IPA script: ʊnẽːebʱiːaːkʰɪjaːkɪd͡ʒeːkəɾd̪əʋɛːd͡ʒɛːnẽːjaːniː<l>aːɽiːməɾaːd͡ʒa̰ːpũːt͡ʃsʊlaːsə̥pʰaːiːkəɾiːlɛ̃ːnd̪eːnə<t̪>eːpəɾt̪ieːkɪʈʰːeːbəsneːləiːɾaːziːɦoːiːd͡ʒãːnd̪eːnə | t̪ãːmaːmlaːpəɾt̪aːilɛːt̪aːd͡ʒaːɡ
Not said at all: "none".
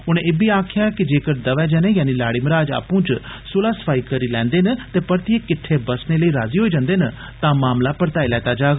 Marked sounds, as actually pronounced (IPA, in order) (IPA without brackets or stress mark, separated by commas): l, t̪